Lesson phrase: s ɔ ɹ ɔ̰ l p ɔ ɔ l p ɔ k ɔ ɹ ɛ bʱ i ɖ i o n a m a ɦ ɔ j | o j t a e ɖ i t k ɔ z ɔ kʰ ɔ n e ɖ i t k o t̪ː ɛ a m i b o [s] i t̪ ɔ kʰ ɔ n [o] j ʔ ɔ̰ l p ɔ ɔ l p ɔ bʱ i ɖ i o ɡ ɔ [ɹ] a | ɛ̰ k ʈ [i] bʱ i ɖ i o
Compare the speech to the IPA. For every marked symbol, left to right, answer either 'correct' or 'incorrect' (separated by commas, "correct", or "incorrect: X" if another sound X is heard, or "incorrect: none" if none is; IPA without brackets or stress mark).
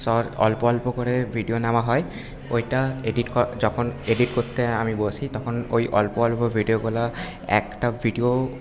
correct, correct, incorrect: l, incorrect: a